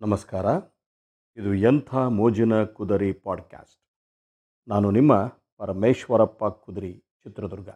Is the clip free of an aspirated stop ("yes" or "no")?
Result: no